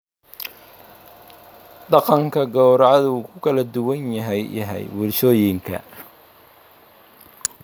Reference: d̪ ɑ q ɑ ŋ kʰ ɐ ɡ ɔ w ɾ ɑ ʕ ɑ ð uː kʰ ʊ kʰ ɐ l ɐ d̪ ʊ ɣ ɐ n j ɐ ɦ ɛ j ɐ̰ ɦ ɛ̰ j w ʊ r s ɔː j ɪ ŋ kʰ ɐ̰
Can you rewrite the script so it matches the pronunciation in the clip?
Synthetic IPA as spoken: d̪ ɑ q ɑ ŋ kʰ ɐ ɡ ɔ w ɾ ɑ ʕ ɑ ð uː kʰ ʊ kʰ ɐ l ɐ d̪ ʊ w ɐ n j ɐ ɦ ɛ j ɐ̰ ɦ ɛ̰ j w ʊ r ʃ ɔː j ɪ ŋ kʰ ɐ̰